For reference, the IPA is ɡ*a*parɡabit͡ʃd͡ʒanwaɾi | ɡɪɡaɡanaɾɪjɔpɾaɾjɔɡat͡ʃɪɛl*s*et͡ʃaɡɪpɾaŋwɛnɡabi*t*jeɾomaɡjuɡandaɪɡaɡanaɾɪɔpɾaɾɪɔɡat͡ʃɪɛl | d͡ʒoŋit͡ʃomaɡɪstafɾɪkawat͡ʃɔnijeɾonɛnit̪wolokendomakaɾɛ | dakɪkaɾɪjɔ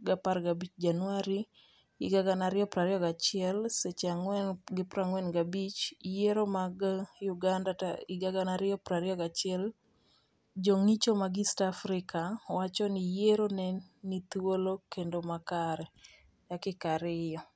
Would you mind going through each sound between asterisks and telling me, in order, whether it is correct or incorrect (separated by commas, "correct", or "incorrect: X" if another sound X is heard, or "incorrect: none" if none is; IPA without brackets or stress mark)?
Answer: correct, correct, incorrect: t͡ʃ